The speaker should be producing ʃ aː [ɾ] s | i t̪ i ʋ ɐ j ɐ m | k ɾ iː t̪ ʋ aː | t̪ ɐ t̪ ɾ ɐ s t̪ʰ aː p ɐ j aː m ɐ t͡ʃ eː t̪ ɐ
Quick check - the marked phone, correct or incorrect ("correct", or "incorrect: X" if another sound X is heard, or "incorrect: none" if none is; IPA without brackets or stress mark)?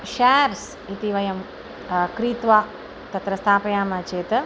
correct